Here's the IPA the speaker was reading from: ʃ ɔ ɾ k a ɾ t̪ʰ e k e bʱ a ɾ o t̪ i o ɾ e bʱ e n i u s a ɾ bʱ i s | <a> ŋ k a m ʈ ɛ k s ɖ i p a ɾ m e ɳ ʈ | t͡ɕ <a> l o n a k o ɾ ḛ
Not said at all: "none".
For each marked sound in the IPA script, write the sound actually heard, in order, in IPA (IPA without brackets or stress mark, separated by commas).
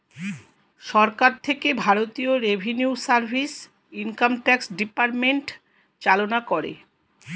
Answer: i, a